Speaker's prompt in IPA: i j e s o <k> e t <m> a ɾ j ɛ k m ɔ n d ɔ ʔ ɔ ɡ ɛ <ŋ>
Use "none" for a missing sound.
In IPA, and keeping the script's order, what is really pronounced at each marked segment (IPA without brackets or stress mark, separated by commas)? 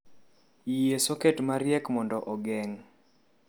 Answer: k, m, ŋ